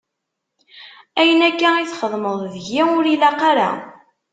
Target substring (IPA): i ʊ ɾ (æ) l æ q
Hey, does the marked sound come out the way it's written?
no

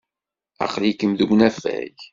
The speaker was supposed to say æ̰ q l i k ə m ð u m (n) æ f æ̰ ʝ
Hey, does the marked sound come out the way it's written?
yes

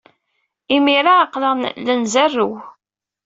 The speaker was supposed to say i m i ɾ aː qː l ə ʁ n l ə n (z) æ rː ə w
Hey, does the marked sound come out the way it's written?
yes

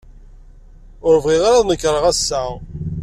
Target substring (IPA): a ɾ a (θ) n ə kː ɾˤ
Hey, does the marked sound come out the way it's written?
no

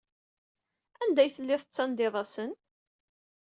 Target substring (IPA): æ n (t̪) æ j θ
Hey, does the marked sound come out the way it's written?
no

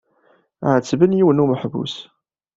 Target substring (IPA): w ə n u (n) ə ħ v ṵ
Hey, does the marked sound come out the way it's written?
no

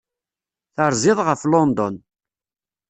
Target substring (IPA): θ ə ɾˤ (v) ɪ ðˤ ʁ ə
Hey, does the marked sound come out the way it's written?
no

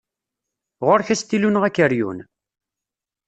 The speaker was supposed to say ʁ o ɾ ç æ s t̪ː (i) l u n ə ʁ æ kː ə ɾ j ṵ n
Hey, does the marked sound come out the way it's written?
yes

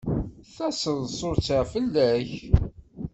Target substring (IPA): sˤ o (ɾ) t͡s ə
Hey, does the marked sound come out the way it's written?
yes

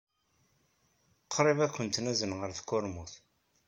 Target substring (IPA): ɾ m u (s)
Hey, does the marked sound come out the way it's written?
no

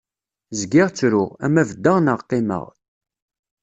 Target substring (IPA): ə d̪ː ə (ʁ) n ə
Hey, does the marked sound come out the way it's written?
yes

